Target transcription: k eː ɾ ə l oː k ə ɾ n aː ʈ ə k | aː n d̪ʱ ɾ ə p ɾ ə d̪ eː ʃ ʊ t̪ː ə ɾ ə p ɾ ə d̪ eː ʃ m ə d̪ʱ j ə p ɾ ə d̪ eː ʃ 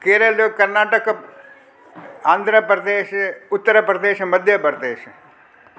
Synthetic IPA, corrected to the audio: k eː ɾ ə l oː k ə ɾ n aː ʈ ə k | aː n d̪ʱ ɾ ə p ɾ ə d̪ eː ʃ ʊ t̪ː ə ɾ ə p ɾ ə d̪ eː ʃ m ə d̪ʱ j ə p ɾ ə d̪ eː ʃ